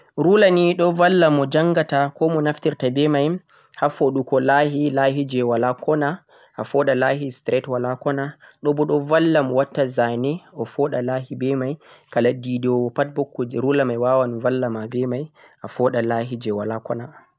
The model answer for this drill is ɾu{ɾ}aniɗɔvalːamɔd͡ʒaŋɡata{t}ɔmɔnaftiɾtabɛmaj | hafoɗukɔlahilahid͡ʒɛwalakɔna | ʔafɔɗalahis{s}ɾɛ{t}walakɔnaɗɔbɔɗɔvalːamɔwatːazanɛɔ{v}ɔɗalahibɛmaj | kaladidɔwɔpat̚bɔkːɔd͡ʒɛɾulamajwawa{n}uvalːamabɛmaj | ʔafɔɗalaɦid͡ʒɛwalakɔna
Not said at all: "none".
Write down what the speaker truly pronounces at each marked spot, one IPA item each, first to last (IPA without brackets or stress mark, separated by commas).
l, k, t, t, f, n